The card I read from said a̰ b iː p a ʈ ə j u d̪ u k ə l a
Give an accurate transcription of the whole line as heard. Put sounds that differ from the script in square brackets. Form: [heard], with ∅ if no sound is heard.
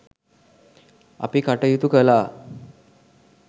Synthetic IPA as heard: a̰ [p] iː [k] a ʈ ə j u [t̪] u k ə l a